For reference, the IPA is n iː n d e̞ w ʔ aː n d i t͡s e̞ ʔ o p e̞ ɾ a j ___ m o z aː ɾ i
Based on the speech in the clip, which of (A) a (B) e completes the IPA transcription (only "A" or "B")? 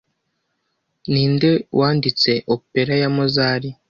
A